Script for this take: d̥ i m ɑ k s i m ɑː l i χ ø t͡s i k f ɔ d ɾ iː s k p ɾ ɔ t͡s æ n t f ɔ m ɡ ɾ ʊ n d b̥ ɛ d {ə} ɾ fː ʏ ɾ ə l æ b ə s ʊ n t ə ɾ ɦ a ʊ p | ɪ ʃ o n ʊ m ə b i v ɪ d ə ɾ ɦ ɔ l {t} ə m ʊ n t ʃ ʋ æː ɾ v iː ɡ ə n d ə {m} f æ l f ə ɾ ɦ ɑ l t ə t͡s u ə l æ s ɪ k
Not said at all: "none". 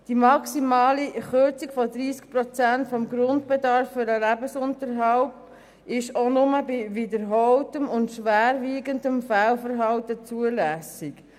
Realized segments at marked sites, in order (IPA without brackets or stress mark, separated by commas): ɑ, t, m